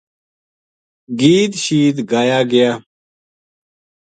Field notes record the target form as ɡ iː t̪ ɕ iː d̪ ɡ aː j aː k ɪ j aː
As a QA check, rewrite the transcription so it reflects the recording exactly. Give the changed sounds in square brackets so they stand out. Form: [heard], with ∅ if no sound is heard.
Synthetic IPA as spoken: ɡ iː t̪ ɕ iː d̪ ɡ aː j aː [ɡ] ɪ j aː